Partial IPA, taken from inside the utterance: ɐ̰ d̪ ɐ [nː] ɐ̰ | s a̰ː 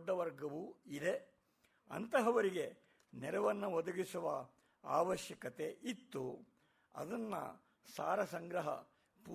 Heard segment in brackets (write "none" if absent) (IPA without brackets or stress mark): nː